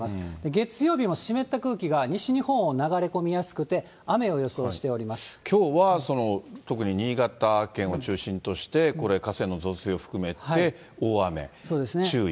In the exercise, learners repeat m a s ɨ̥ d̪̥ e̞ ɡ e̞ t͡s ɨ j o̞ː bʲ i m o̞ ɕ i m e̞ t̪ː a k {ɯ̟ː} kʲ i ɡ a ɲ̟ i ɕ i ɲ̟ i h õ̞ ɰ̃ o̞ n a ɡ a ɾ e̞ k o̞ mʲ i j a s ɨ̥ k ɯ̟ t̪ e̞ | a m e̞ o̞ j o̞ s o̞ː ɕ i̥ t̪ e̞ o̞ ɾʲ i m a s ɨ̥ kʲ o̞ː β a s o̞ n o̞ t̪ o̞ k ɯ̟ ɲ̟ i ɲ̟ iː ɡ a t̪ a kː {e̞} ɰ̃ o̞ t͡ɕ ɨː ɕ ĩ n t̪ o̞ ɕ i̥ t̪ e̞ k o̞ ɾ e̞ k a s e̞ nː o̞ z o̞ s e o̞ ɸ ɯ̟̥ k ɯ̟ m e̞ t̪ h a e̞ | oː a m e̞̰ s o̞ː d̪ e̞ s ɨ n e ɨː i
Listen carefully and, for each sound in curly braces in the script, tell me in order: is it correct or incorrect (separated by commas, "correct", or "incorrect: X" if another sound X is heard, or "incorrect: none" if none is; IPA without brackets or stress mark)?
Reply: correct, incorrect: ẽ̞